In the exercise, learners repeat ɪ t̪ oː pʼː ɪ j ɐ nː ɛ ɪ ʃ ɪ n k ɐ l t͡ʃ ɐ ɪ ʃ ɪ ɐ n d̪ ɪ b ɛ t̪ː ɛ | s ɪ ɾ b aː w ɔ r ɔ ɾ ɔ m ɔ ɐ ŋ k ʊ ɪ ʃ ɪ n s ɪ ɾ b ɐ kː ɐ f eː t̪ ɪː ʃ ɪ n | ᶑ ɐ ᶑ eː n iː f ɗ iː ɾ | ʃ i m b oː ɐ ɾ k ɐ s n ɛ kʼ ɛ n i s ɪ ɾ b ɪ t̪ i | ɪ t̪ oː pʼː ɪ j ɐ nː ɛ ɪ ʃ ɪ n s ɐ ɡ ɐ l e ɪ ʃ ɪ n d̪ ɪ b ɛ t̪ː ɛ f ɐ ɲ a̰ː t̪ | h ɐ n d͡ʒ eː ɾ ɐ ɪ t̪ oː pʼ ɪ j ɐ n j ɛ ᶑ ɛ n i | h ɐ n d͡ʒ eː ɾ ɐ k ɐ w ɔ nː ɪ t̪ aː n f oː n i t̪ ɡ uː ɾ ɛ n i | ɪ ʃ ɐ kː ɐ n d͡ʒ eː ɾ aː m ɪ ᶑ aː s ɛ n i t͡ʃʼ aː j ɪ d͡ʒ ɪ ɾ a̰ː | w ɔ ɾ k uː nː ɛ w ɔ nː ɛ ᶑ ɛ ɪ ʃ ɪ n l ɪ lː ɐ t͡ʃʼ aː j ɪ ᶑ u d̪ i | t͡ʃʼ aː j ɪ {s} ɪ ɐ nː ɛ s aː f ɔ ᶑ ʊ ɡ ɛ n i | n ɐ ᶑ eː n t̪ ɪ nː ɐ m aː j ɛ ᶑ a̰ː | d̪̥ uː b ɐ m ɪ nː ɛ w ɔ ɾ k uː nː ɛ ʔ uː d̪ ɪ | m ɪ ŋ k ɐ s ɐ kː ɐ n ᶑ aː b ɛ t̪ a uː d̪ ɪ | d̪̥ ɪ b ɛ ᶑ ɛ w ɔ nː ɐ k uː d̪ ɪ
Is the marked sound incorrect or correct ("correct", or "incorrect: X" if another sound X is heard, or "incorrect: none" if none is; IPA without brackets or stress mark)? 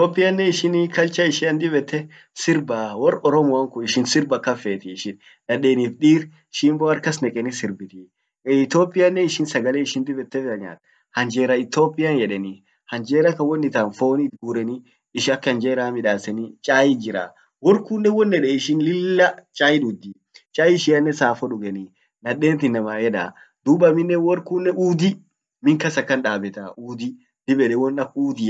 incorrect: ʃ